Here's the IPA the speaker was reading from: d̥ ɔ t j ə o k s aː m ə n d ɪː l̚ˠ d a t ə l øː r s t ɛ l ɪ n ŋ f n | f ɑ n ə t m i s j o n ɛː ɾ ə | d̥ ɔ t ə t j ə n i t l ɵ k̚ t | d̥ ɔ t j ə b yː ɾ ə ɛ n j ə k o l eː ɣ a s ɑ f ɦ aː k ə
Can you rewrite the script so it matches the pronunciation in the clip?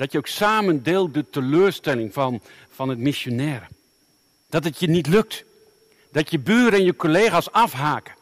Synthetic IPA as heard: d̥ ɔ t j ə o k s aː m ə n d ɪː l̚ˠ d ə t ə l øː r s t ɛ l ɪ ŋ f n | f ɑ n ə t m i s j o n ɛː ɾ ə | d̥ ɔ t ə t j ə n i t l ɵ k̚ t | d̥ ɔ t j ə b yː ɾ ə ɛ n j ə k o l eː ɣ a s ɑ f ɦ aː k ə